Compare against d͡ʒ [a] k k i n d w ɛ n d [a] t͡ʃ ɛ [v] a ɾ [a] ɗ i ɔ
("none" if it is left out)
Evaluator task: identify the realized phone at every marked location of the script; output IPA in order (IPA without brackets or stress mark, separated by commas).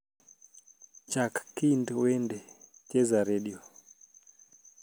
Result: a, ɛ, z, ɛ